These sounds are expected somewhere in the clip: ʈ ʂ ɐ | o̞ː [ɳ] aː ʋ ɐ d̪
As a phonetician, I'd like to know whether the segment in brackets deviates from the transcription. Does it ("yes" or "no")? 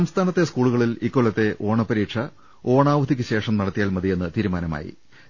no